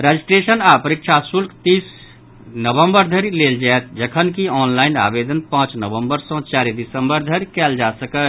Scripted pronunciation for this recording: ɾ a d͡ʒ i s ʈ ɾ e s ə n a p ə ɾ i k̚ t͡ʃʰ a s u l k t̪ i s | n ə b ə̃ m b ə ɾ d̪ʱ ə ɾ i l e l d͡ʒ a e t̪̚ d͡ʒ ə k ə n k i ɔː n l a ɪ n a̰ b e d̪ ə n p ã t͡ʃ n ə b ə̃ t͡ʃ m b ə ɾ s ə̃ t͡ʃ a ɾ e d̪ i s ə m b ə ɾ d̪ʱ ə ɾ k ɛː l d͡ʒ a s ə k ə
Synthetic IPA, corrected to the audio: ɾ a d͡ʒ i s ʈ ɾ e s ə n a p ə ɾ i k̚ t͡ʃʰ a s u l k t̪ i s | n ə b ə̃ m b ə ɾ d̪ʱ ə ɾ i l e l d͡ʒ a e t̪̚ d͡ʒ ə kʰ ə n k i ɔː n l a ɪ n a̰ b e d̪ ə n p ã t͡ʃ n ə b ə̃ m b ə ɾ s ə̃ t͡ʃ a ɾ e d̪ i s ə m b ə ɾ d̪ʱ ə ɾ k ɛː l d͡ʒ a s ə k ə